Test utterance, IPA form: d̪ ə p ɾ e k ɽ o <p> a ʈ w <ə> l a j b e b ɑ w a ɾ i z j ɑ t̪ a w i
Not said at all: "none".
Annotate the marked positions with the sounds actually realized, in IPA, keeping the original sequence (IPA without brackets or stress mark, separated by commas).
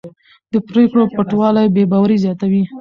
p, ɑ